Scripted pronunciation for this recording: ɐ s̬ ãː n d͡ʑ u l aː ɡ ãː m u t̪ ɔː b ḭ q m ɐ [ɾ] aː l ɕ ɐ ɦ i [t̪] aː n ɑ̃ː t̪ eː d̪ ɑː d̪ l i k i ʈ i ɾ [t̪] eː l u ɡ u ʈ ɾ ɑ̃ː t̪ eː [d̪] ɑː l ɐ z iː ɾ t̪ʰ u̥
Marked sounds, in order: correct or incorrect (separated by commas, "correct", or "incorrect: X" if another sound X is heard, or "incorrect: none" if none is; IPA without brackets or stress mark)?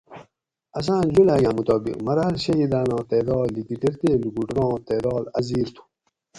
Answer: correct, incorrect: d̪, correct, correct